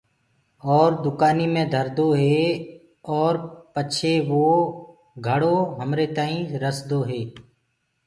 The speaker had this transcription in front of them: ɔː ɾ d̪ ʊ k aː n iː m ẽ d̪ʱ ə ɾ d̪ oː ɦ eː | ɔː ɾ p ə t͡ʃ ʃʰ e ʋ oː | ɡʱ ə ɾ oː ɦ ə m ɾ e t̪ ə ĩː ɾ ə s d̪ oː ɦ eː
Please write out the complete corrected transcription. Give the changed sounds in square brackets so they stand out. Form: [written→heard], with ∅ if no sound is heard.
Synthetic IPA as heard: ɔː ɾ d̪ ʊ k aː n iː m ẽ d̪ʱ ə ɾ d̪ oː ɦ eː | ɔː ɾ p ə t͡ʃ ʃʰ e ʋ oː | ɡʱ ə [ɾ→ɽ] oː ɦ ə m ɾ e t̪ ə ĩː ɾ ə s d̪ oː ɦ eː